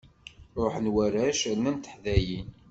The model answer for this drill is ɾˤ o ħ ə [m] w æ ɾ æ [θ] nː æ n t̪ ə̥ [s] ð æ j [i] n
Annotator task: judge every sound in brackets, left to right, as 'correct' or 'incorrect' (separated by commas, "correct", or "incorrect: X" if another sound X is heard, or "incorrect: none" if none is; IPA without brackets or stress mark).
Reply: incorrect: n, incorrect: ʃ, incorrect: ħ, correct